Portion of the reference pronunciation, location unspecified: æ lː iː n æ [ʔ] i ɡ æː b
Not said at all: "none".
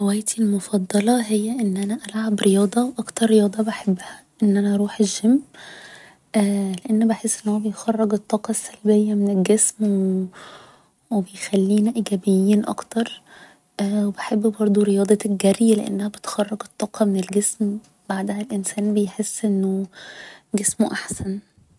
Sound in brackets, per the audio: ʔ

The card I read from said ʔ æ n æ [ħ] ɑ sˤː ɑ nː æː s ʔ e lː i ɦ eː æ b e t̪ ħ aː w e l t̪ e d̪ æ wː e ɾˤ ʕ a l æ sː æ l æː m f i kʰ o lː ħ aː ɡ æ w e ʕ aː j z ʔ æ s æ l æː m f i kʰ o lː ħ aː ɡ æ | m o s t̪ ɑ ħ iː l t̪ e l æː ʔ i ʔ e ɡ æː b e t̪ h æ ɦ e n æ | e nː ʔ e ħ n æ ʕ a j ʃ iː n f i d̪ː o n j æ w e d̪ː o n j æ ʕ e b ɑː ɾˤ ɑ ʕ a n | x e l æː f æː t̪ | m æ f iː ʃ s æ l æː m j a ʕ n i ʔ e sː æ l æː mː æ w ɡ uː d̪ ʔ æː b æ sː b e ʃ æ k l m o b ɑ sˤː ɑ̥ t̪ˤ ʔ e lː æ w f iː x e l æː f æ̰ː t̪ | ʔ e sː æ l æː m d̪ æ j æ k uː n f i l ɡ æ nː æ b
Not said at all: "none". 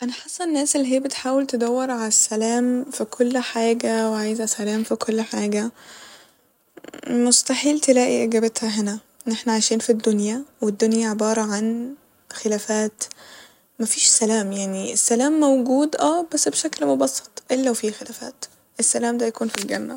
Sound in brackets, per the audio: ħ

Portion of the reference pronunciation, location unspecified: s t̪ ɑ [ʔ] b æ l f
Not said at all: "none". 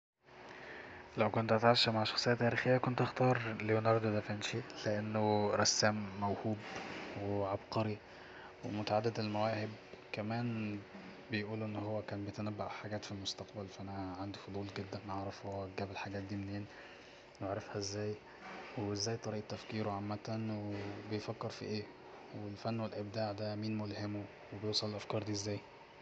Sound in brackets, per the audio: q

